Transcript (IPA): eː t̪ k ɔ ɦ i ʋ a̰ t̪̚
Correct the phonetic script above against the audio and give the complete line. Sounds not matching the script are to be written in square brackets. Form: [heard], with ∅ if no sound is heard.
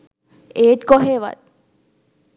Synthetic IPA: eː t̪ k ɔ ɦ [e] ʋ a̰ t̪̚